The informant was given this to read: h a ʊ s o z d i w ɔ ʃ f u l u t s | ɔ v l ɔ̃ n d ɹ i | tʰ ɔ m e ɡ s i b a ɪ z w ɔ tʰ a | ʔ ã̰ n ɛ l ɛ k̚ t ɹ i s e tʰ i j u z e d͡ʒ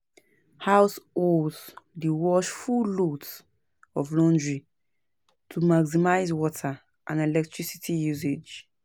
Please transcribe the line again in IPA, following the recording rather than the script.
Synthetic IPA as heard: h a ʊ s o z d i w ɔ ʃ f u l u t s | ɔ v l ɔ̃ n d ɹ i | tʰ u m a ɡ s i m a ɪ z w ɔ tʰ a | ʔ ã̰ n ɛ l ɛ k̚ t ɹ i s i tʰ i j u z e d͡ʒ